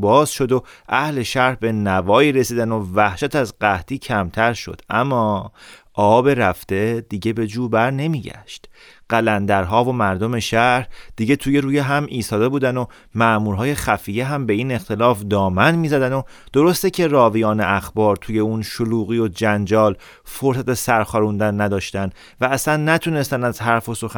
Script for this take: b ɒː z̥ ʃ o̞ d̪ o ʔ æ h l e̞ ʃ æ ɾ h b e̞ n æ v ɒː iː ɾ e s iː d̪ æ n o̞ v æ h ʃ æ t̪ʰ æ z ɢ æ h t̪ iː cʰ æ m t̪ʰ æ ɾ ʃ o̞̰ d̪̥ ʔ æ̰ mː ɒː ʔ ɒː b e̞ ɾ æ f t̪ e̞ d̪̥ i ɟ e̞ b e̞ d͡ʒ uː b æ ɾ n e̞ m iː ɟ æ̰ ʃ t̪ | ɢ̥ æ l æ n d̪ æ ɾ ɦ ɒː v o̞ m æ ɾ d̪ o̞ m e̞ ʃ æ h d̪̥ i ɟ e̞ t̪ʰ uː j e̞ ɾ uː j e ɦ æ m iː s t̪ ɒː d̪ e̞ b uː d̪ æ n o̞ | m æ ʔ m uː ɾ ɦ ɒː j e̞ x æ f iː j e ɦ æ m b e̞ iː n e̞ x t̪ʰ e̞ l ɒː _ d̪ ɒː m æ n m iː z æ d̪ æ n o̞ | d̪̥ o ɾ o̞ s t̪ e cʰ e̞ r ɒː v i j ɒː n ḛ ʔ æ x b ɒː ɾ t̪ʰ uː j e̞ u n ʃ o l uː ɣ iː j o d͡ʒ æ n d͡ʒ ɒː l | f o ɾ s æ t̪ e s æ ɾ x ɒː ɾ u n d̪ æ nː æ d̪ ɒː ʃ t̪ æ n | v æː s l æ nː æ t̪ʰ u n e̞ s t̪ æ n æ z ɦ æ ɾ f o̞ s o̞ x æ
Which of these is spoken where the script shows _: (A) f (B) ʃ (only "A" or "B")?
A